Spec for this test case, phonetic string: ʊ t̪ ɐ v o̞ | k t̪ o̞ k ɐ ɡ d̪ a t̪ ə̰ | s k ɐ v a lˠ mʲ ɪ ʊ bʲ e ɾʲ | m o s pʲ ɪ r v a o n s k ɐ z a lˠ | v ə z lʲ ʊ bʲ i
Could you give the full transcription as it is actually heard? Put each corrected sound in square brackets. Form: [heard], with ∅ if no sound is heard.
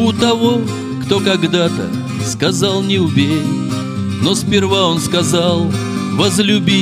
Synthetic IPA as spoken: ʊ t̪ ɐ v o̞ | k t̪ o̞ k ɐ ɡ d̪ a t̪ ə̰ | s k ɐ [z] a lˠ [nʲ] ɪ ʊ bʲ e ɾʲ | [n] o s pʲ ɪ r v a o n s k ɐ z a lˠ | v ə z lʲ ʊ bʲ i